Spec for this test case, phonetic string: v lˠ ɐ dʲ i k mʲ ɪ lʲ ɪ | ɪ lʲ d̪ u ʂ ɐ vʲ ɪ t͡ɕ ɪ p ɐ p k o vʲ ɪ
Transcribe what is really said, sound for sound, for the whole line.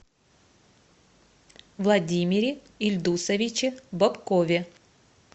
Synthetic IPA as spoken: v lˠ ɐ dʲ i mʲ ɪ ɾʲ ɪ | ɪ lʲ d̪ u s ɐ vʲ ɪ t͡ɕ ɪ b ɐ p k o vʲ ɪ